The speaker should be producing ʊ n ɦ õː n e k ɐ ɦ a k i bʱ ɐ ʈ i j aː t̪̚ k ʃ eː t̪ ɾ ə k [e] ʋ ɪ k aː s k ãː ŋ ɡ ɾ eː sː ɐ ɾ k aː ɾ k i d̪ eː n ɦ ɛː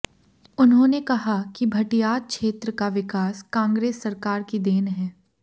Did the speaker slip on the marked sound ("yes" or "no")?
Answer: yes